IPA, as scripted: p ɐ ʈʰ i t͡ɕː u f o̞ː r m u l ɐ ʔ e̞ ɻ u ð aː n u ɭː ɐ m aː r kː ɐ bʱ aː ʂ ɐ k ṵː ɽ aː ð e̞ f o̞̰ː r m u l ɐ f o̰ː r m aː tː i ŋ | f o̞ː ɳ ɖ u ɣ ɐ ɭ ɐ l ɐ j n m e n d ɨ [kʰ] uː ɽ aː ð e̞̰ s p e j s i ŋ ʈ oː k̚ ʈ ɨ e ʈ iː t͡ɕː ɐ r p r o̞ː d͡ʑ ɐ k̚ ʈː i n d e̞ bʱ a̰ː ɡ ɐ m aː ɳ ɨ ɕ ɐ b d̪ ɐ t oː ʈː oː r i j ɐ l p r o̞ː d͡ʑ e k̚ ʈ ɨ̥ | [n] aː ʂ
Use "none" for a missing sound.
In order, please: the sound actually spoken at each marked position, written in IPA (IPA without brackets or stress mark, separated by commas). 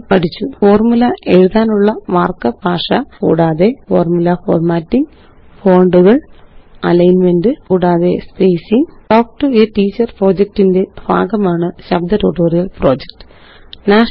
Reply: k, n